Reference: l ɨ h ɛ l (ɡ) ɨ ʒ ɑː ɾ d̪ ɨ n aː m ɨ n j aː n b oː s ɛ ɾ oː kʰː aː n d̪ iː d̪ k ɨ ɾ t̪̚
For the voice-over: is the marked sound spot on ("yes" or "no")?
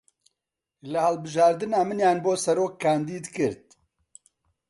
no